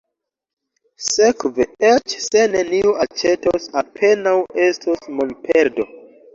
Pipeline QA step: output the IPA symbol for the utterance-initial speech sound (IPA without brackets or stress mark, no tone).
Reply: s